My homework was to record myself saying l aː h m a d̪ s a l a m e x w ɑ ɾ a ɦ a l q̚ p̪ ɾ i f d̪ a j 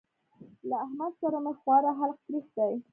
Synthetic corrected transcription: l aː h m a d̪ s a ɾ a m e x w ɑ ɾ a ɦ a l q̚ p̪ ɾ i x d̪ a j